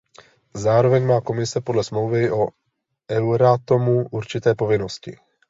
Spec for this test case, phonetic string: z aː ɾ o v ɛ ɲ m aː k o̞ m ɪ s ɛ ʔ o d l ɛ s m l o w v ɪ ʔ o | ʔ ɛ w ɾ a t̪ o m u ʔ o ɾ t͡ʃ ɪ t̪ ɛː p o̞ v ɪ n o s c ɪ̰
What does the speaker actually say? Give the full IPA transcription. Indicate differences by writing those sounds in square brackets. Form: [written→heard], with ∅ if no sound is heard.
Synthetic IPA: z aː ɾ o v ɛ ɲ m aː k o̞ m ɪ s ɛ [ʔ→p] o d l ɛ s m l o w v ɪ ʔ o | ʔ ɛ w ɾ a t̪ o m u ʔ [o→u] ɾ t͡ʃ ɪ t̪ ɛː p o̞ v ɪ n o s c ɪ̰